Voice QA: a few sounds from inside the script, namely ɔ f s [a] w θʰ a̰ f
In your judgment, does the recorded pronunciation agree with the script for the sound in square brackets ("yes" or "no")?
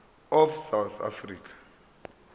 yes